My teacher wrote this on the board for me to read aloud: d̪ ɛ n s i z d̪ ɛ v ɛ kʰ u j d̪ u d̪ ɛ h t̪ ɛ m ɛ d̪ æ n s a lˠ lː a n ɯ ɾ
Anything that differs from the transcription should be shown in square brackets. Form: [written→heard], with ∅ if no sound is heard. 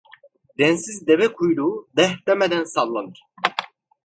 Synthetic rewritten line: d̪ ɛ n s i z d̪ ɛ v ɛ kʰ u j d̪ u d̪ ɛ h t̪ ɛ m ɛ d̪ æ n s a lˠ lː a n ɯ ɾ